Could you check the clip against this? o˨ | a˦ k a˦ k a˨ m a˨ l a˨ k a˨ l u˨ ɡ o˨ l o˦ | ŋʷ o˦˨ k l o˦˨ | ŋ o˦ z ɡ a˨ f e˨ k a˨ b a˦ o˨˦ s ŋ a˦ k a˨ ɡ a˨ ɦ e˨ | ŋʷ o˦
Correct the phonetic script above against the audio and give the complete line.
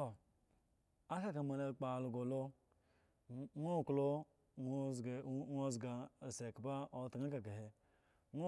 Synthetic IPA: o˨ | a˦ k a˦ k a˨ m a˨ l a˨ k͡p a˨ l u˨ ɡ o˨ l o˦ | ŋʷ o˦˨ k l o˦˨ | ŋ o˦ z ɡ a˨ s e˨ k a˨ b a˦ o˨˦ t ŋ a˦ k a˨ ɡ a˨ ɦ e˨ | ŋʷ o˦